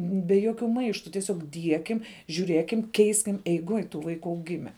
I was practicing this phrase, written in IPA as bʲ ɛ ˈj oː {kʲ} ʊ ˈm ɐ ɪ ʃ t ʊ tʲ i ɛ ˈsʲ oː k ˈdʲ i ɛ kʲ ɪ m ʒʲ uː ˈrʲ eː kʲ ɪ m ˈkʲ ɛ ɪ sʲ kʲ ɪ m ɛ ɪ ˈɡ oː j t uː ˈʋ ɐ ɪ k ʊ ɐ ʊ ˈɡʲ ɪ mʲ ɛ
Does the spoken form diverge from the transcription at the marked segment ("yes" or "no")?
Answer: no